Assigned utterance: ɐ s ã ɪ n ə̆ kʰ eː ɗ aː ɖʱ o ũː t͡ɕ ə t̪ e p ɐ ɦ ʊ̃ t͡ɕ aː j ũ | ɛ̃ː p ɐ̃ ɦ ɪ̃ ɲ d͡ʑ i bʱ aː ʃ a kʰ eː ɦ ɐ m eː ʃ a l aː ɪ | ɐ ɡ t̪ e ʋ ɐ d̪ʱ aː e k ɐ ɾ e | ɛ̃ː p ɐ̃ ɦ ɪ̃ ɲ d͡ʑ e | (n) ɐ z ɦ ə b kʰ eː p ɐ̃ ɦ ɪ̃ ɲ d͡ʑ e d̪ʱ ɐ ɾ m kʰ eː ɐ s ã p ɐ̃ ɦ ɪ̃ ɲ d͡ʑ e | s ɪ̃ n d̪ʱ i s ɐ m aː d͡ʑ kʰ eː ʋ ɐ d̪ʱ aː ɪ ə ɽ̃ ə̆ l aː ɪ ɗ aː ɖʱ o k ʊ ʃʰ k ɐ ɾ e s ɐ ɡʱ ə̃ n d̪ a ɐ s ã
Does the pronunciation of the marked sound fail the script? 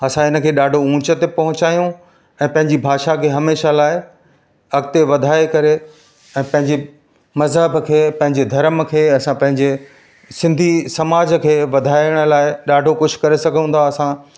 yes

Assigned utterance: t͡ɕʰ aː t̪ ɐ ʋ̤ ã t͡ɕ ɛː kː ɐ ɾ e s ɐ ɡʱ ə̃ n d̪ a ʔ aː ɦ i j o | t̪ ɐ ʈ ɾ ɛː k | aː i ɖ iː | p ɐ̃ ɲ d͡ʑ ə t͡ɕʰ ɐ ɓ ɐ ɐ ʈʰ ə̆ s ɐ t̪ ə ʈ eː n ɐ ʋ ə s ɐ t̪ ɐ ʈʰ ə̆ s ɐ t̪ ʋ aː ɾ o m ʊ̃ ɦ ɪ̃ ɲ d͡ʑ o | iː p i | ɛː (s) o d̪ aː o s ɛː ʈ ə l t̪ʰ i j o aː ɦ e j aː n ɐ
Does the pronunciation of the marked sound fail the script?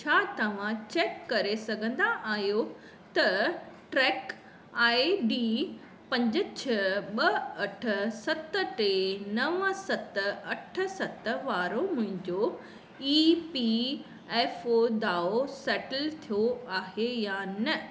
yes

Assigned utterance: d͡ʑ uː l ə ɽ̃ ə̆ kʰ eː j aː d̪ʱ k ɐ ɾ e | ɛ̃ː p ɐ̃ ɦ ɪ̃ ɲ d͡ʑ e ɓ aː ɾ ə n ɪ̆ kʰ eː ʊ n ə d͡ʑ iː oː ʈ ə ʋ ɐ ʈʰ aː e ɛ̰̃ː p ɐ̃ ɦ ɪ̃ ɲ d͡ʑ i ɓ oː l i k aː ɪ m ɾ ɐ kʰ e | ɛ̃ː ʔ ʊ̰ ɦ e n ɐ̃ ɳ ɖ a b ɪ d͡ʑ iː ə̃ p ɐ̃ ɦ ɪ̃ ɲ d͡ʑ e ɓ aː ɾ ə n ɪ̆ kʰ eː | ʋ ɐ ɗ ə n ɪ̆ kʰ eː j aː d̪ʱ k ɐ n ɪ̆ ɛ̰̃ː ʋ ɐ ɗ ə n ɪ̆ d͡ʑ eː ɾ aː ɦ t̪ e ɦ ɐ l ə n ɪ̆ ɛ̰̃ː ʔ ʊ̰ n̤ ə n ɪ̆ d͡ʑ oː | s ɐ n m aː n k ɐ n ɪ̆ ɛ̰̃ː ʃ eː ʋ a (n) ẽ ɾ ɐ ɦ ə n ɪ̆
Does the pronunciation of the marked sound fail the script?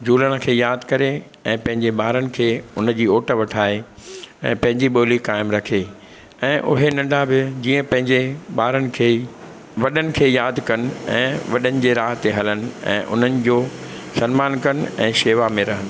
yes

